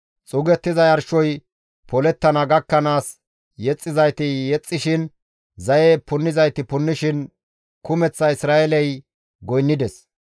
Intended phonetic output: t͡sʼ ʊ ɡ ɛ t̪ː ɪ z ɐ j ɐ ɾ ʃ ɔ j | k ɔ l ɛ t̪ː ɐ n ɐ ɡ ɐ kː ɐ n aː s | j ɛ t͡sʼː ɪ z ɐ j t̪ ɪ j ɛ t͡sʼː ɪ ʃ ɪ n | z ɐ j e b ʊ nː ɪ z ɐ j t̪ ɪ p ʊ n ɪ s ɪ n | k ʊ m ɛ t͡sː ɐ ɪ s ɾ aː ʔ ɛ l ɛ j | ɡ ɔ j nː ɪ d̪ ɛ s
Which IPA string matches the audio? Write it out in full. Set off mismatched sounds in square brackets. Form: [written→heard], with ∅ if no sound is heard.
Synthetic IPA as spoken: t͡sʼ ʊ ɡ ɛ t̪ː ɪ z ɐ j ɐ ɾ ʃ ɔ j | [k→p] ɔ l ɛ t̪ː ɐ n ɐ ɡ ɐ kː ɐ n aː s | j ɛ t͡sʼː ɪ z ɐ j t̪ ɪ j ɛ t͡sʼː ɪ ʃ ɪ n | z ɐ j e [b→p] ʊ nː ɪ z ɐ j t̪ ɪ p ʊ [n→nː] ɪ [s→ʃ] ɪ n | k ʊ m ɛ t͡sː ɐ ɪ s ɾ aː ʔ ɛ l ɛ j | ɡ ɔ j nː ɪ d̪ ɛ s